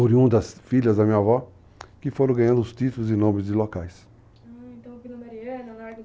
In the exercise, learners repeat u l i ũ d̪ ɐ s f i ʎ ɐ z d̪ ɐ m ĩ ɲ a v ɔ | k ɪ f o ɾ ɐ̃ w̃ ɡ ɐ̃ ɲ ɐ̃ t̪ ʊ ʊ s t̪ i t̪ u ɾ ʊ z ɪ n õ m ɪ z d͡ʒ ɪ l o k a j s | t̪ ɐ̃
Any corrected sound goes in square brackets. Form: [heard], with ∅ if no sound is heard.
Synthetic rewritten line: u [ɾ] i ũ d̪ ɐ s f i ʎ ɐ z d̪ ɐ m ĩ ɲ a v ɔ | k ɪ f o ɾ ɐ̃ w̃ ɡ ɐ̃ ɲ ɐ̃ [d̪] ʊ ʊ s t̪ i t̪ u [l] ʊ z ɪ n õ m ɪ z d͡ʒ ɪ l o k a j s | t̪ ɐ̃